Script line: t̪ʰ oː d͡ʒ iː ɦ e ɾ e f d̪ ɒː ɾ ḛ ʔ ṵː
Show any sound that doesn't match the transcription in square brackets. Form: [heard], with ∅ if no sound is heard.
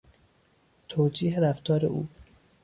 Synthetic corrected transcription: t̪ʰ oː d͡ʒ iː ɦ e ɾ [æ] f [t̪] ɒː ɾ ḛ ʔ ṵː